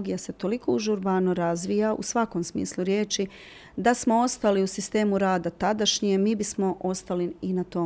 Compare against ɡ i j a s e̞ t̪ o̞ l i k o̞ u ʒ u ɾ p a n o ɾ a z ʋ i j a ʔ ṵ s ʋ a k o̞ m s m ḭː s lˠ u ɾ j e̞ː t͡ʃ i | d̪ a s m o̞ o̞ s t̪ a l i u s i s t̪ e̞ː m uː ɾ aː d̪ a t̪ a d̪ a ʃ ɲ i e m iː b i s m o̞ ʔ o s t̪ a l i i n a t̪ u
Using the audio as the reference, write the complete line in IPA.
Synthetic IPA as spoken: ɡ i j a s e̞ t̪ o̞ l i k o̞ u ʒ u ɾ b a n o ɾ a z ʋ i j a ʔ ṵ s ʋ a k o̞ m s m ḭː s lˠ u ɾ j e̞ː t͡ʃ i | d̪ a s m o̞ o̞ s t̪ a l i u s i s t̪ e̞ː m u ɾ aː d̪ a t̪ a d̪ a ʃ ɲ i e m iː b i s m o̞ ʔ o s t̪ a l i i n a t̪ o